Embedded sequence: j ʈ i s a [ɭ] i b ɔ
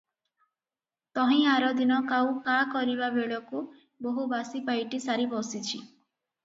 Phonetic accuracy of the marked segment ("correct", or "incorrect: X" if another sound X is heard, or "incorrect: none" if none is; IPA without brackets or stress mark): incorrect: ɾ